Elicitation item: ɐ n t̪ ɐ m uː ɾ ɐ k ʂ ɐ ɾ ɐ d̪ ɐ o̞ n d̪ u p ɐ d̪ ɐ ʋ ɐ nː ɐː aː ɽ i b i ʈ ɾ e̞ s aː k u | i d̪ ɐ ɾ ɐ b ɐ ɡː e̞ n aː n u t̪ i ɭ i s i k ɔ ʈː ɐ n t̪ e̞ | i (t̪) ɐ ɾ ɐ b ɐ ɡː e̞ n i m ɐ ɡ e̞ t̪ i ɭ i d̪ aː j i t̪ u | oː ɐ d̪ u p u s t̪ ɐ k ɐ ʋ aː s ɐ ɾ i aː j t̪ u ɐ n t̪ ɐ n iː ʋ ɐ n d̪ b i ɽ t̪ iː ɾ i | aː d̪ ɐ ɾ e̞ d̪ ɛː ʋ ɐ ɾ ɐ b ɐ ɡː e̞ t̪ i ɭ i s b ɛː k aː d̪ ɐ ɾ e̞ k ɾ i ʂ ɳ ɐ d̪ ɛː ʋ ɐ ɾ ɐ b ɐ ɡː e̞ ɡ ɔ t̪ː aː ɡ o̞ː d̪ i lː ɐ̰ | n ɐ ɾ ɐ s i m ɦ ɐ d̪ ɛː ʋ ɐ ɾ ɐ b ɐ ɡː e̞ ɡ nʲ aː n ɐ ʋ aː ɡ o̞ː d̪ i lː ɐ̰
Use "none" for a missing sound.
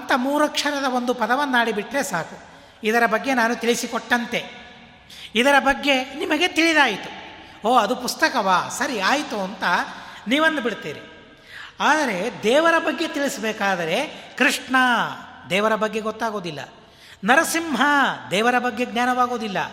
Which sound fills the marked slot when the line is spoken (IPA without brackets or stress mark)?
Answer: d̪